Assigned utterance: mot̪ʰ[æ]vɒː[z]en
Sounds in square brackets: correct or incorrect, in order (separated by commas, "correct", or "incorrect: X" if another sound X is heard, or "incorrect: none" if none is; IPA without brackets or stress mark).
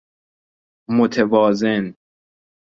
incorrect: e, correct